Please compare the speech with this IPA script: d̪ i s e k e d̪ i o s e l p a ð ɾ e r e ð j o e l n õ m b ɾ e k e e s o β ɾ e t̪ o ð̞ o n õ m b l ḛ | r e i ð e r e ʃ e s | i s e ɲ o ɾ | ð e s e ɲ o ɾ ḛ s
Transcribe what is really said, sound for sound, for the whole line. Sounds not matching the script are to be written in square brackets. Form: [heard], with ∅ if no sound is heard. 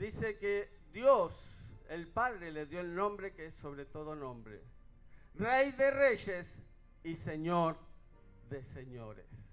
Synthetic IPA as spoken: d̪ i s e k e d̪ [j] o s e l p a ð ɾ e [l] e ð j o e l n õ m b ɾ e k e e s o β ɾ e t̪ o ð̞ o n õ m b [ɾ] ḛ | r e [j] ð e r e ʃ e s | i s e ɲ o ɾ | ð e s e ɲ o ɾ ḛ s